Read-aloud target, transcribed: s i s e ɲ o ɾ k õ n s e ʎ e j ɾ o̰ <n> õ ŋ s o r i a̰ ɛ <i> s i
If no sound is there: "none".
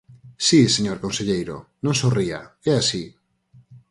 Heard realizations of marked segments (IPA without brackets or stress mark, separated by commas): n, a